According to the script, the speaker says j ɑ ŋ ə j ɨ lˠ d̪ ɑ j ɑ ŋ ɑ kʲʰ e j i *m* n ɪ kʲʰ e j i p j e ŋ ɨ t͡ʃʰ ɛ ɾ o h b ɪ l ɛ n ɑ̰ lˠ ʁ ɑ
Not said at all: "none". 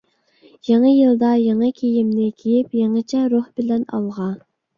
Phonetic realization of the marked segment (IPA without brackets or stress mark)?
m